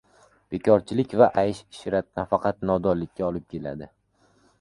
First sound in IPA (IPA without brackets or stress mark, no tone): b̥